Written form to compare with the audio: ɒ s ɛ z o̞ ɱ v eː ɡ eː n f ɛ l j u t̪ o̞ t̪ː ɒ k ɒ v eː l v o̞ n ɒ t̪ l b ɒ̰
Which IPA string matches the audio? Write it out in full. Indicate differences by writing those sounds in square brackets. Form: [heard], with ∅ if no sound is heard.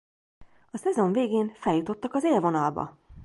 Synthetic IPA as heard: ɒ s ɛ z o̞ ɱ v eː ɡ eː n f ɛ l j u t̪ o̞ t̪ː ɒ k ɒ [z] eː l v o̞ n ɒ [∅] l b ɒ̰